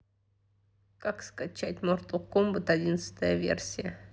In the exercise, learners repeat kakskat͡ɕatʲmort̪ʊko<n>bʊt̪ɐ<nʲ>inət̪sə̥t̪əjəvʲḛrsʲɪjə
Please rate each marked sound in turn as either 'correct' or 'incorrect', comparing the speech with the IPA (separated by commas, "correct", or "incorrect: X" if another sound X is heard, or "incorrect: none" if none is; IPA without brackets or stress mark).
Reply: incorrect: m, incorrect: dʲ